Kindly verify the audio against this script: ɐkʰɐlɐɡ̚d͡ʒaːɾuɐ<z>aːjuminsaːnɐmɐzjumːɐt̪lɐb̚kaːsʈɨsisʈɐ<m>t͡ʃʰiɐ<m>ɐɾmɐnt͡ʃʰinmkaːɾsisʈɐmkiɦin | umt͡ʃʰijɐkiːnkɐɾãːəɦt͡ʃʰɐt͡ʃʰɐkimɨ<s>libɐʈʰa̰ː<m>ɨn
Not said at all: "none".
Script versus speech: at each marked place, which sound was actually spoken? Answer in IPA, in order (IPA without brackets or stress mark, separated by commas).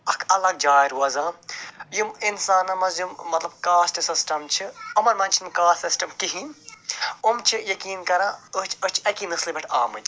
z, m, m, s, m